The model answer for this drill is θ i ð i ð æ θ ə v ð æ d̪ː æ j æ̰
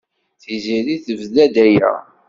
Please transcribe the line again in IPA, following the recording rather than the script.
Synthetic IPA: θ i z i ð i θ ə v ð æ d̪ æ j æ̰